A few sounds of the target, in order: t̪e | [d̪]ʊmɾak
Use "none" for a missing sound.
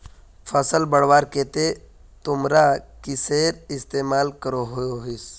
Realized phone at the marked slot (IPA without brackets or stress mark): t̪